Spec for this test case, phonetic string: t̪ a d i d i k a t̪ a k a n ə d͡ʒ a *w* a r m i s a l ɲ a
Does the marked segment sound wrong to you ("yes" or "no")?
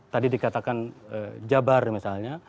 yes